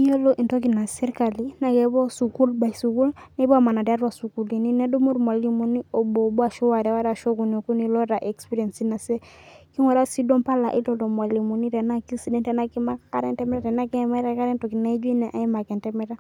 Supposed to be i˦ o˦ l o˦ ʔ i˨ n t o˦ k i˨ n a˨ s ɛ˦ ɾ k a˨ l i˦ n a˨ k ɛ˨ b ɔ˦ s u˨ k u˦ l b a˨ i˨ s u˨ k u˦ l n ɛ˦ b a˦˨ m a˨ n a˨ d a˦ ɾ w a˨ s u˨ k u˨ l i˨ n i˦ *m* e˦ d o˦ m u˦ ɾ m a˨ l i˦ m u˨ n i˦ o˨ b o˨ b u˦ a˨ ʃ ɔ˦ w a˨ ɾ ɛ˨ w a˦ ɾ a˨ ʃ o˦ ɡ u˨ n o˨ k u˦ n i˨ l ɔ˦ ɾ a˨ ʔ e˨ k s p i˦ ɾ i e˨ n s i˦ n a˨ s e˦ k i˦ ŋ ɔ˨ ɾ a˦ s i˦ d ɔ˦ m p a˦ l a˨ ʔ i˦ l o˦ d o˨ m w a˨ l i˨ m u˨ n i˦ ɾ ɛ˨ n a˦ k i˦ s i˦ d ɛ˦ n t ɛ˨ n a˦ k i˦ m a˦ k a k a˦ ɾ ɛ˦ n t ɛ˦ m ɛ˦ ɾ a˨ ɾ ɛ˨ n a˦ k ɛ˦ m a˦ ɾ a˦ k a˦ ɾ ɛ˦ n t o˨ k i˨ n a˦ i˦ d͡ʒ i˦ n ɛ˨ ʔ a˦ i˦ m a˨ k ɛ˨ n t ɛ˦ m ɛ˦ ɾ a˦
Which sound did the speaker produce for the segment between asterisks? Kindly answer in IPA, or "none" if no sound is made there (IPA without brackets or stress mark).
n